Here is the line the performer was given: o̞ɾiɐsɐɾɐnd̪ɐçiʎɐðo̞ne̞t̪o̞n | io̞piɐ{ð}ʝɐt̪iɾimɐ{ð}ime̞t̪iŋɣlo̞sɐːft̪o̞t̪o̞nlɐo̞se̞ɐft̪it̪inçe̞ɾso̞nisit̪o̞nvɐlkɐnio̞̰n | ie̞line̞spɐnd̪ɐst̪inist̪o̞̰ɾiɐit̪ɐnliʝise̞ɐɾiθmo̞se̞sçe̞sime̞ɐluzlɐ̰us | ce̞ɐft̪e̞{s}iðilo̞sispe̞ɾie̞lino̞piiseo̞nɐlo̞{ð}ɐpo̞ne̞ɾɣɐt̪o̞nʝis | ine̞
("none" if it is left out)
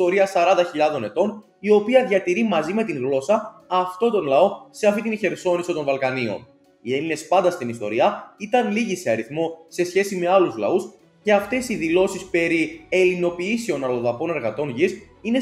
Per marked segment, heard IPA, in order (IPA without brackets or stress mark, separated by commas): ð, z, s, ð